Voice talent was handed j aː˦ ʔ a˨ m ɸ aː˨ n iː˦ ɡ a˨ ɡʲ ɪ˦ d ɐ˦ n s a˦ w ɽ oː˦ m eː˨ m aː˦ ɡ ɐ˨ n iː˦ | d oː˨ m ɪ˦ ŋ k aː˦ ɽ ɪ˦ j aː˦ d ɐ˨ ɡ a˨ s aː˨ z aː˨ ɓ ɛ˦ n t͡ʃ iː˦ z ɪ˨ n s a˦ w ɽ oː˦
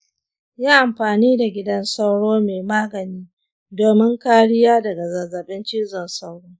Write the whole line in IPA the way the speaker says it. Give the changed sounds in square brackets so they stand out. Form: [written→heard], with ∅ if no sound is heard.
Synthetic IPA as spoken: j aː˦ ʔ a˨ m ɸ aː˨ n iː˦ [ɡ→d] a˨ ɡʲ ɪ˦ d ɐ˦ n s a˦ w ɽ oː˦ m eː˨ m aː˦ ɡ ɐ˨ n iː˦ | d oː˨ m ɪ˦ ŋ k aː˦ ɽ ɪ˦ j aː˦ d ɐ˨ ɡ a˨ [s→z] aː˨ z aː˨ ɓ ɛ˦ n t͡ʃ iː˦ z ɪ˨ n s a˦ w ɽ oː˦